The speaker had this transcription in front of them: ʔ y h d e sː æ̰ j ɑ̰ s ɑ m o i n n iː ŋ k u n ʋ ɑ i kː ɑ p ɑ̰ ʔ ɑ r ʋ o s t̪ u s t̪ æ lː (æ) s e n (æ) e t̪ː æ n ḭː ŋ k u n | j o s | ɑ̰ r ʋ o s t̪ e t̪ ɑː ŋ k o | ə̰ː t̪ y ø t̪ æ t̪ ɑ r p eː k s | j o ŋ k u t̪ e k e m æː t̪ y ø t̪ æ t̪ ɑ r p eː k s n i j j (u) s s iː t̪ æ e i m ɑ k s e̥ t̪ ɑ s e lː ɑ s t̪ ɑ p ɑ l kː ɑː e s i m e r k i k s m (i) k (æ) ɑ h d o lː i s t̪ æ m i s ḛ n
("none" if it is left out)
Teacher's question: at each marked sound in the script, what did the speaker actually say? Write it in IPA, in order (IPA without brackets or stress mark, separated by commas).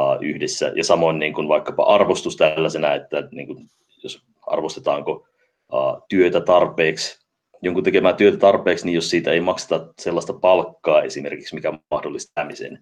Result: æ, æ, o, i, æ